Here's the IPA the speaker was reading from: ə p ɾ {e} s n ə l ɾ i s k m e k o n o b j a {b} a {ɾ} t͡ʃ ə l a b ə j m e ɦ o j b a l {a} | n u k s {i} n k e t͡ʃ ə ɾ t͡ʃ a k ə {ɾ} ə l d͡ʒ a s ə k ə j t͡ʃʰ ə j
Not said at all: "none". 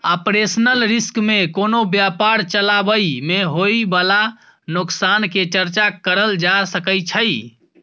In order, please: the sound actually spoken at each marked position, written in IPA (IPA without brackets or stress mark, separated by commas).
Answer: e, p, ɾ, a, a, ɾ